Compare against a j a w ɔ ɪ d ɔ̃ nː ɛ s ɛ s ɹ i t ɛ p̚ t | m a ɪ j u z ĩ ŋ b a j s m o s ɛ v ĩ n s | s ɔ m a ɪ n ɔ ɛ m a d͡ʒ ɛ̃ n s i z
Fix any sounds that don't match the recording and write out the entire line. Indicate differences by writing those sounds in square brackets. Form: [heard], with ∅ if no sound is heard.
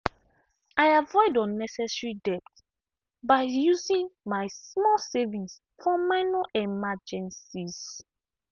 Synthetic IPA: a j a [v] ɔ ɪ d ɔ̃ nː ɛ s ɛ s ɹ i [d] ɛ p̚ t | [b] a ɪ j u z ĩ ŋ [m] a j s m [ɔ] s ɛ v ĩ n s | [f] ɔ m a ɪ n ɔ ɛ m a d͡ʒ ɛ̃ n s i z